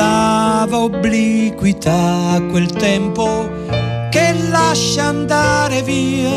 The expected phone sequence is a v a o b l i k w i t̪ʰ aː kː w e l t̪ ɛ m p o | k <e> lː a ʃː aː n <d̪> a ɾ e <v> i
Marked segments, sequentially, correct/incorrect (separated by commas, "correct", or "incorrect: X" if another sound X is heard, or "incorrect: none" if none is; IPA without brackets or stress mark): correct, correct, correct